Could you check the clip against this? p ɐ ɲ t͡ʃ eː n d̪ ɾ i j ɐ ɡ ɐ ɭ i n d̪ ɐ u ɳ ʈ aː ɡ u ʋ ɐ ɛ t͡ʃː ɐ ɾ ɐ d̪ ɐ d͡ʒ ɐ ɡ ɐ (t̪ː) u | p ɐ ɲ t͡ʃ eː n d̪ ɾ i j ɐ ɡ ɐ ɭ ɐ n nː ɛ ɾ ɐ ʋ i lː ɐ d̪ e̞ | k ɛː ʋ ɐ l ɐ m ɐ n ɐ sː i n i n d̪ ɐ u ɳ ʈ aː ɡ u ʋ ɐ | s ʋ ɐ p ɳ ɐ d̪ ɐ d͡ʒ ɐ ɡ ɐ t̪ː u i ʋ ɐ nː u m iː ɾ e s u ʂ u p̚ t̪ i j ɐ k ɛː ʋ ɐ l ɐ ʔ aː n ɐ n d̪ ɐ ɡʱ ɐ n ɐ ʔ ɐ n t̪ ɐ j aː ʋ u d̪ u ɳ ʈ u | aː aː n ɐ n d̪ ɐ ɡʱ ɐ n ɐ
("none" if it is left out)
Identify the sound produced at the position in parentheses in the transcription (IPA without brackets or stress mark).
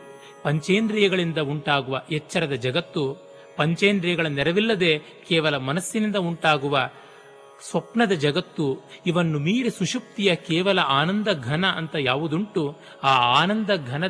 t̪ː